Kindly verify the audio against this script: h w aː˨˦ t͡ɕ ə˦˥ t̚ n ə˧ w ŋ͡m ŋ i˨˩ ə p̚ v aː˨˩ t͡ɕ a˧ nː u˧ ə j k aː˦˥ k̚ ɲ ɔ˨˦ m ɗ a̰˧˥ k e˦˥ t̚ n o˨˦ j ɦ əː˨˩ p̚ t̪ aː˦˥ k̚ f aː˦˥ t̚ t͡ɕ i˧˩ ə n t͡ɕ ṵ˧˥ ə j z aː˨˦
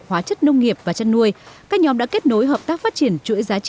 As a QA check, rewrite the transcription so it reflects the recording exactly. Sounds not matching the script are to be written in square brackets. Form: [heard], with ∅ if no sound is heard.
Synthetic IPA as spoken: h w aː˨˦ t͡ɕ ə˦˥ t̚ n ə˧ w ŋ͡m ŋ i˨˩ ə p̚ v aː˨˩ t͡ɕ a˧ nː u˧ ə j k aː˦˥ k̚ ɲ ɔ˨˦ m ɗ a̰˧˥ k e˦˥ t̚ n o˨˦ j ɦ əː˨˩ p̚ t̪ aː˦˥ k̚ f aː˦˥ t̚ t͡ɕ i˧˩ ə n t͡ɕ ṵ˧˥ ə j z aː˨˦